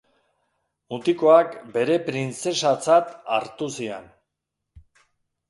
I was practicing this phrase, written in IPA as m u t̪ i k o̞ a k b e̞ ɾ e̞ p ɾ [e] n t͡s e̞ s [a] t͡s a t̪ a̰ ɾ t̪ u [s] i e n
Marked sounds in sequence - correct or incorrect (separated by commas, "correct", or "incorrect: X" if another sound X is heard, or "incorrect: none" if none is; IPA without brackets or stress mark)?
incorrect: i, correct, correct